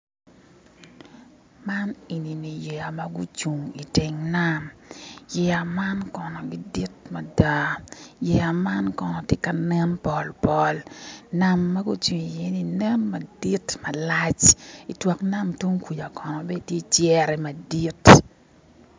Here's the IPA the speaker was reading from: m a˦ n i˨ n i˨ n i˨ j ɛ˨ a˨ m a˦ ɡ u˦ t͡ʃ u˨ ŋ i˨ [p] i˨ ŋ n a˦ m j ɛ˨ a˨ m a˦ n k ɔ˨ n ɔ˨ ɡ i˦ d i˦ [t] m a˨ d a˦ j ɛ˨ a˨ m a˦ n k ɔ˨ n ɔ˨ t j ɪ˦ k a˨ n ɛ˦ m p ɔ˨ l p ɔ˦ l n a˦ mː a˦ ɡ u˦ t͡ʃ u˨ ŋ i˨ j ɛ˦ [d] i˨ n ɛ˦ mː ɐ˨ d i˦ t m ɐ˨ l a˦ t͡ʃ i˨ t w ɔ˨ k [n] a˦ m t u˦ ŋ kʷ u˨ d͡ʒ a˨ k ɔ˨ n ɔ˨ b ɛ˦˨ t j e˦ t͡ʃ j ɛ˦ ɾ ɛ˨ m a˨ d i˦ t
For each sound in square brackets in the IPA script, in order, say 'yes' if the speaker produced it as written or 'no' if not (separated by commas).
no, yes, no, yes